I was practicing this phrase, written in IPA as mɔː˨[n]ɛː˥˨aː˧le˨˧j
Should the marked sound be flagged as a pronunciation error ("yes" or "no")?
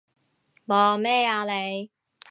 yes